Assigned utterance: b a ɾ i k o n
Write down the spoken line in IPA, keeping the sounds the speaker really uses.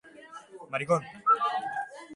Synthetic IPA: m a ɾ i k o n